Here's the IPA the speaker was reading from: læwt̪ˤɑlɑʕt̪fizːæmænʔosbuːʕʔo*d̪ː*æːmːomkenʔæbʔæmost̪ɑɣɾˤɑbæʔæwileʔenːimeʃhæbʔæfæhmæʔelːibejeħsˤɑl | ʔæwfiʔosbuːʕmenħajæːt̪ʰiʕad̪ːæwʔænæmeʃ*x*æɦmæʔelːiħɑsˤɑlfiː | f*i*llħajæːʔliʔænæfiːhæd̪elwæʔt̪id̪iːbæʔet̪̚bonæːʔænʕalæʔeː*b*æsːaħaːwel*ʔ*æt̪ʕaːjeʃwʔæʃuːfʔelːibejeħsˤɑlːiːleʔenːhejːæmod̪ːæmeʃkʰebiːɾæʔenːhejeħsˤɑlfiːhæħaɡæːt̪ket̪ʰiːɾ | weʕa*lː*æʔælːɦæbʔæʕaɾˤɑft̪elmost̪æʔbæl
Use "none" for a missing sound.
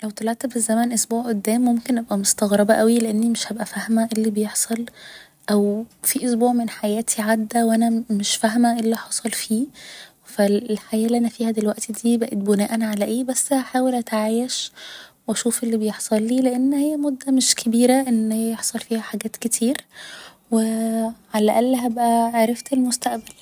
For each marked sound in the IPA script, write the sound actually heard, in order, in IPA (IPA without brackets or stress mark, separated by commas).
d̪ː, f, æ, b, ʔ, l